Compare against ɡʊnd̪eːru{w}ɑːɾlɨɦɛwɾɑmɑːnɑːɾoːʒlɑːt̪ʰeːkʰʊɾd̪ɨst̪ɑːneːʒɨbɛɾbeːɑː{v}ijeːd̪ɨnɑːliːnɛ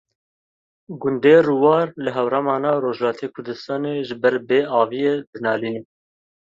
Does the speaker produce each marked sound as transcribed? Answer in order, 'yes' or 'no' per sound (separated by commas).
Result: yes, yes